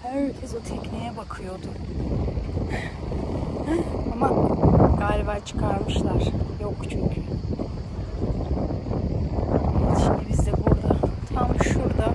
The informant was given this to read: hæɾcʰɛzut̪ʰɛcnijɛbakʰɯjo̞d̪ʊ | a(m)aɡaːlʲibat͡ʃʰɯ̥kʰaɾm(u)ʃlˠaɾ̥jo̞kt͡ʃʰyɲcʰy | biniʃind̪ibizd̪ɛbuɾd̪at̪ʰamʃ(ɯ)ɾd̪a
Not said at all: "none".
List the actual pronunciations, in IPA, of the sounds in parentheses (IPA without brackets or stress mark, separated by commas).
m, ɯ, u